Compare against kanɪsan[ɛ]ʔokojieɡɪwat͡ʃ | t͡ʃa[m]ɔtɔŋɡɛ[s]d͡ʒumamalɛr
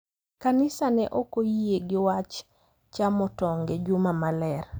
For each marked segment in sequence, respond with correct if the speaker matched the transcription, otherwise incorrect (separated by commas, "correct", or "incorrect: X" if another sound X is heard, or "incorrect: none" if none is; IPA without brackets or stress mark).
correct, correct, incorrect: none